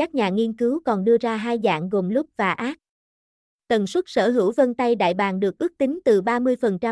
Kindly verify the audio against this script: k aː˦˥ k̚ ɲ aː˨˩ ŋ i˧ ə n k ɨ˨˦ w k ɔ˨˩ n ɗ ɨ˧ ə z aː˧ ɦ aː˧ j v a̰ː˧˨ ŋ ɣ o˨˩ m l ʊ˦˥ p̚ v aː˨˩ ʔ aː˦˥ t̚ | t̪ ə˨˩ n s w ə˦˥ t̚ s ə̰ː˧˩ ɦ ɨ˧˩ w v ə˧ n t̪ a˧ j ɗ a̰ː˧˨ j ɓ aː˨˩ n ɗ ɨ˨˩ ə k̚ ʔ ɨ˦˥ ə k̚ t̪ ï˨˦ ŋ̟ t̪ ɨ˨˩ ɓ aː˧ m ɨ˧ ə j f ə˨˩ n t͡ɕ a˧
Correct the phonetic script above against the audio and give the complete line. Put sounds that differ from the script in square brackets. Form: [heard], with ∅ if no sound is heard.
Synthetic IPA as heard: k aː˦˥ k̚ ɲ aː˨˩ ŋ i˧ ə n k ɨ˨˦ w k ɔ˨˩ n ɗ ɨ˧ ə z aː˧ ɦ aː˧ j [z] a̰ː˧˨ ŋ ɣ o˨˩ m l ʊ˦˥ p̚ v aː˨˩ ʔ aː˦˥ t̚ | t̪ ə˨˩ n s w ə˦˥ t̚ s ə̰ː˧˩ ɦ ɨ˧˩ w v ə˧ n t̪ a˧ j ɗ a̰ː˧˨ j ɓ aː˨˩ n ɗ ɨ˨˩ ə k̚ ʔ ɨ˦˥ ə k̚ t̪ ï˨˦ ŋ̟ t̪ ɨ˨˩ ɓ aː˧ m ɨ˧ ə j f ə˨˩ n t͡ɕ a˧